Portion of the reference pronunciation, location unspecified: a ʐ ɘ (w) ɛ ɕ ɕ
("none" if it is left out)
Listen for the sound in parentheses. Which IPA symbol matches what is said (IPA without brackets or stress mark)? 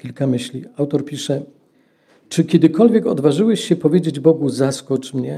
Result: w